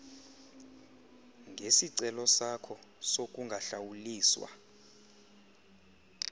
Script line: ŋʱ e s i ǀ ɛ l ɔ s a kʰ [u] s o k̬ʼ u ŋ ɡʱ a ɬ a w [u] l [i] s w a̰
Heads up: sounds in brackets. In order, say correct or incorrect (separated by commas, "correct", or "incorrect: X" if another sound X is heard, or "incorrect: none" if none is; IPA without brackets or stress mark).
incorrect: ɔ, correct, incorrect: iː